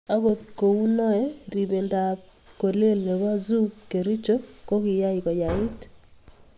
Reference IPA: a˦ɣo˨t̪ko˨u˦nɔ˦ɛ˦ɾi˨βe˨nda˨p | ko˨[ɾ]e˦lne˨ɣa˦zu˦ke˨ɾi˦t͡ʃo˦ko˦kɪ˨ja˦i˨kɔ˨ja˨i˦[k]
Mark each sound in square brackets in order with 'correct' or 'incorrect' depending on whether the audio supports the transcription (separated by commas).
incorrect, incorrect